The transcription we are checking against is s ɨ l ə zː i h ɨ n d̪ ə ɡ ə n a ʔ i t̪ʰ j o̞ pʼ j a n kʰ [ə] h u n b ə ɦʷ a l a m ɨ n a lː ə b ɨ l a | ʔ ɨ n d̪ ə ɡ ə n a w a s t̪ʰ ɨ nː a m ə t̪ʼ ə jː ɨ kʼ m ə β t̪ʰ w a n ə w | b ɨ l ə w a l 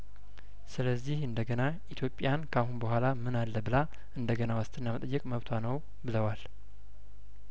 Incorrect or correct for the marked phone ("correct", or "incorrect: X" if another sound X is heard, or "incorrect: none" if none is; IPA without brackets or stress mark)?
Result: incorrect: a